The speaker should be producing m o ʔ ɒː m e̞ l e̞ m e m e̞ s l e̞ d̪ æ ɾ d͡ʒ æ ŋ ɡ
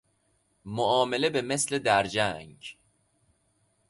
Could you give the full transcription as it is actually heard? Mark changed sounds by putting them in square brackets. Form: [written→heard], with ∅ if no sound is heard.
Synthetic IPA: m o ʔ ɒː m e̞ l e̞ [m→b] e m e̞ s l e̞ d̪ æ ɾ d͡ʒ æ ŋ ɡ

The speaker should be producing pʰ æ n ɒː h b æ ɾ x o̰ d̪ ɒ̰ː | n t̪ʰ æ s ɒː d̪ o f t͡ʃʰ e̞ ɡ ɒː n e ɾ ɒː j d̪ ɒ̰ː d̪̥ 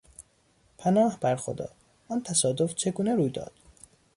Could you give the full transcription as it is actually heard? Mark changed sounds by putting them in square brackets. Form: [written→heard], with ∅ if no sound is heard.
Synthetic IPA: pʰ æ n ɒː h b æ ɾ x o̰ d̪ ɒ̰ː | n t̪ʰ æ s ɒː d̪ o f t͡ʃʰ e̞ ɡ [ɒː→uː] n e ɾ [ɒː→uː] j d̪ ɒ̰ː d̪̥

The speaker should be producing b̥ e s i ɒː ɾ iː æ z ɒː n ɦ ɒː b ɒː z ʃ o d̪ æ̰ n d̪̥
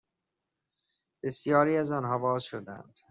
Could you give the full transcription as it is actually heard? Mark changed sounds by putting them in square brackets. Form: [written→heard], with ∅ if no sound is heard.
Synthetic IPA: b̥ e s [i→j] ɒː ɾ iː æ z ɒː n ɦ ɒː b ɒː z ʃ o d̪ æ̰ n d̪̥

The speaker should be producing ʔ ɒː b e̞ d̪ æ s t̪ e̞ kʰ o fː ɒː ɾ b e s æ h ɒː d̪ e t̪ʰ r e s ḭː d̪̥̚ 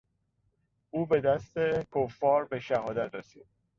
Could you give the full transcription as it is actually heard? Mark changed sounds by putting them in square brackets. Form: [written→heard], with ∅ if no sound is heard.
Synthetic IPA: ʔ [ɒː→uː] b e̞ d̪ æ s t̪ e̞ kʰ o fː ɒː ɾ b e [s→ʃ] æ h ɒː d̪ [e→æ] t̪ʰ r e s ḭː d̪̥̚

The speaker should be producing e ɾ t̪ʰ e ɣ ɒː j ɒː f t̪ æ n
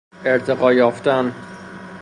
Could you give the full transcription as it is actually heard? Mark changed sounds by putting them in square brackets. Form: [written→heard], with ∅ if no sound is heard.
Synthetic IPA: e ɾ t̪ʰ e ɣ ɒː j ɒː f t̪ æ n

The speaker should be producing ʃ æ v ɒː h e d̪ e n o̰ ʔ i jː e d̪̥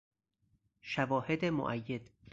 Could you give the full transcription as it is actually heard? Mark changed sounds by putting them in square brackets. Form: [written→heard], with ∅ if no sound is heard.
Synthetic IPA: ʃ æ v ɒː h e d̪ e [n→m] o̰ ʔ [i→æ] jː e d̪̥

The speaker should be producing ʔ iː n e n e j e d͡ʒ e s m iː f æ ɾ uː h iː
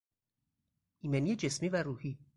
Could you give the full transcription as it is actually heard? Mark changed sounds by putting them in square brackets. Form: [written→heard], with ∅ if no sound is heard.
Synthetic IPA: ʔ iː [n→m] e n [e→i] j e d͡ʒ e s m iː [f→v] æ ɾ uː h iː

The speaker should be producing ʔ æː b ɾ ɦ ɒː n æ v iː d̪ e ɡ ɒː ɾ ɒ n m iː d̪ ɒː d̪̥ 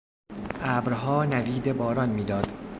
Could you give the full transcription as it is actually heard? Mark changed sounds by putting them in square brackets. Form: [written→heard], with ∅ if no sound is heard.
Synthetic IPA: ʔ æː b ɾ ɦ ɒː n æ v iː d̪ e [ɡ→b] ɒː ɾ ɒ n m iː d̪ ɒː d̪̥

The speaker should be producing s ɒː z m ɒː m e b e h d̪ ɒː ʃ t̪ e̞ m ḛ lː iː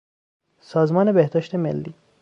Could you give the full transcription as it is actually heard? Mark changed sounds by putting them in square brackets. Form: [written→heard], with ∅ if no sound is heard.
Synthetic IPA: s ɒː z m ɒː [m→n] e b e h d̪ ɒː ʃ t̪ e̞ m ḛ lː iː

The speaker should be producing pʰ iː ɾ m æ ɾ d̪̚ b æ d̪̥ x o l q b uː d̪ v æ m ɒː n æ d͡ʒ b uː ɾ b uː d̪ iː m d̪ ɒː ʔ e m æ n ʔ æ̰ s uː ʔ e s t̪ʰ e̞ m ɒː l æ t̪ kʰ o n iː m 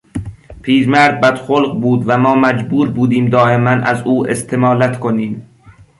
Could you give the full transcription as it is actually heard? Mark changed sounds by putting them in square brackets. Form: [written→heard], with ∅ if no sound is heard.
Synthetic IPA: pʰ iː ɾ m æ ɾ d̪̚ b æ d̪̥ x o l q b uː d̪ v æ m ɒː [n→m] æ d͡ʒ b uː ɾ b uː d̪ iː m d̪ ɒː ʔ e m æ n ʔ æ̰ [s→z] uː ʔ e s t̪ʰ e̞ m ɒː l æ t̪ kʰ o n iː m

